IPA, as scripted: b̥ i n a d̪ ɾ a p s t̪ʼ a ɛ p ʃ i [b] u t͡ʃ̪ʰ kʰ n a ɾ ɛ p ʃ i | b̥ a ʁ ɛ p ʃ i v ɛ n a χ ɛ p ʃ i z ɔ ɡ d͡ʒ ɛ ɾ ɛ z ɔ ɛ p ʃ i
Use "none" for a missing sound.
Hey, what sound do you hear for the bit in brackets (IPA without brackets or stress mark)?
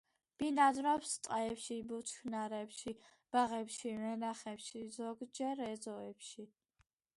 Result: b